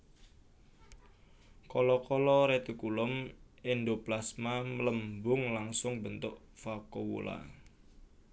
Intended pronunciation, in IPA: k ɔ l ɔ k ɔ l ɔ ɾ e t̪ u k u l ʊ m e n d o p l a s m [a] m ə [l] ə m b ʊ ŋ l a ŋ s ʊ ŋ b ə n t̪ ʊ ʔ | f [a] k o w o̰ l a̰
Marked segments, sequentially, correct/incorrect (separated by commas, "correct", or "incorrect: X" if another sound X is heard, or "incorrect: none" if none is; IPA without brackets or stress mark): correct, correct, correct